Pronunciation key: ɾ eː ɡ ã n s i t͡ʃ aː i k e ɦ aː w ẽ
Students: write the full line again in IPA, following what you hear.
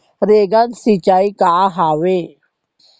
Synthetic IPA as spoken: ɾ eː ɡ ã n s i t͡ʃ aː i k a ɦ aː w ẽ